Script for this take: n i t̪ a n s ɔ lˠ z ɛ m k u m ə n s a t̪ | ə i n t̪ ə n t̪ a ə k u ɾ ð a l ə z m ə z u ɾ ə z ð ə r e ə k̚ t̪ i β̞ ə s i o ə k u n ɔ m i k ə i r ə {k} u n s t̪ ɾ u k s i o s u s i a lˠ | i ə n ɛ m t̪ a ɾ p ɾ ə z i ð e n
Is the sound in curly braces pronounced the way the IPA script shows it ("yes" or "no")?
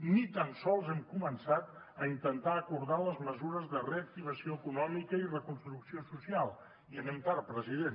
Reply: yes